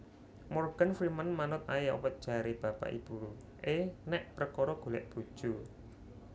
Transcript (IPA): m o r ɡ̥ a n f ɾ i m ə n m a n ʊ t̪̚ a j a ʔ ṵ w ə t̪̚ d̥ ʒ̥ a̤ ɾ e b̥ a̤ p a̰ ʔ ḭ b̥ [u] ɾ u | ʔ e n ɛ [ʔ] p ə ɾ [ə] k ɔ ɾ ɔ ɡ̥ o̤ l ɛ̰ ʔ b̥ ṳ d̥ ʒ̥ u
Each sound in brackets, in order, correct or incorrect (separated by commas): correct, correct, correct